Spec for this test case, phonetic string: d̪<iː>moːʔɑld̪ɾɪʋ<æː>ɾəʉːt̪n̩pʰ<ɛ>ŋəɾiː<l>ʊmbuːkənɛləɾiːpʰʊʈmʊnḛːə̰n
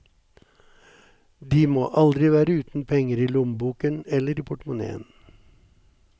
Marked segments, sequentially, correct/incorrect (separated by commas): correct, correct, correct, correct